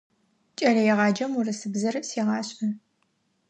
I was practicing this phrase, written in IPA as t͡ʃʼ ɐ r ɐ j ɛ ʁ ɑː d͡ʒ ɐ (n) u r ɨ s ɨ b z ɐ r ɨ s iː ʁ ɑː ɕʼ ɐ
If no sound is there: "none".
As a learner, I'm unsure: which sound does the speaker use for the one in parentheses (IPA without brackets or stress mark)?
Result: m